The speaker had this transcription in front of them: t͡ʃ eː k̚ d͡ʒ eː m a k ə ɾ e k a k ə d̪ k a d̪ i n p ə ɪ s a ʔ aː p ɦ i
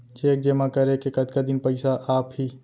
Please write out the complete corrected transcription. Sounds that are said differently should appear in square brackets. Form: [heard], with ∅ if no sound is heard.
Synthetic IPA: t͡ʃ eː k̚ d͡ʒ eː m a k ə ɾ e k [e] k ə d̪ k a d̪ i n p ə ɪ s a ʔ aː p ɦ i